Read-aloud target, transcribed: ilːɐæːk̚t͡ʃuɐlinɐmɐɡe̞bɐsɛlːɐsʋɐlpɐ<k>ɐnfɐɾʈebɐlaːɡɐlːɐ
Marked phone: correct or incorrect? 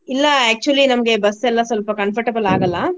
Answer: correct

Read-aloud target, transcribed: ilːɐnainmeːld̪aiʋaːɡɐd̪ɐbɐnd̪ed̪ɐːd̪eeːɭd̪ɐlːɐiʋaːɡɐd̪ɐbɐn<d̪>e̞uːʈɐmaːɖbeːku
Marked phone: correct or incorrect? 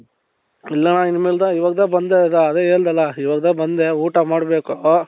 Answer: correct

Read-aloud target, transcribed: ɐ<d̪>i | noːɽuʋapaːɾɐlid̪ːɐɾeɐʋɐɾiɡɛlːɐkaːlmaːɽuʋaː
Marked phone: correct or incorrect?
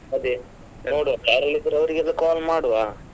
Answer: correct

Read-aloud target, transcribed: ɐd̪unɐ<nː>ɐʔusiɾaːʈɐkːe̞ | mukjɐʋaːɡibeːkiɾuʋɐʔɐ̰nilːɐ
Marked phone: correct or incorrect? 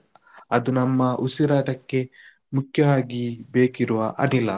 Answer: incorrect: mː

